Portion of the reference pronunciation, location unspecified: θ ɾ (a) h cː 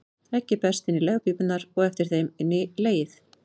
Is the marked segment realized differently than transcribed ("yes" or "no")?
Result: yes